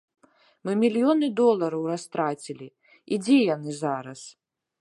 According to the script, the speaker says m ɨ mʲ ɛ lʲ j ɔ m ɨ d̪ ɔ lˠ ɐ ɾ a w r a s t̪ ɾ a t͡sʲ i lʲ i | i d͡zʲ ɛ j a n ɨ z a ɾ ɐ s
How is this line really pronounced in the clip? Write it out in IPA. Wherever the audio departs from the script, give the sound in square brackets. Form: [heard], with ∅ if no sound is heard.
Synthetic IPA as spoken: m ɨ mʲ [i] lʲ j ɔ [n] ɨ d̪ ɔ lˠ ɐ ɾ [ɐ] w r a s t̪ ɾ a t͡sʲ i lʲ i | i d͡zʲ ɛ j a n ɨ z a ɾ ɐ s